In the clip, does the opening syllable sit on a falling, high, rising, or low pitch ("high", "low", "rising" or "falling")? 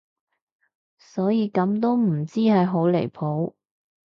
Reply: rising